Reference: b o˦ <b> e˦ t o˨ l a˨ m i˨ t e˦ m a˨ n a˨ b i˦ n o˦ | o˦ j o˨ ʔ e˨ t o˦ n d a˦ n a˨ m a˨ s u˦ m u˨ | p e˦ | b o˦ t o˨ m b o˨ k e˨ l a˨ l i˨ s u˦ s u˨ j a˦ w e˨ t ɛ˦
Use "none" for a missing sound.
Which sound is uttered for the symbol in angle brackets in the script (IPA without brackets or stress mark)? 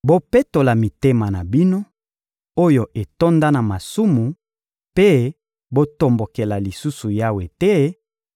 p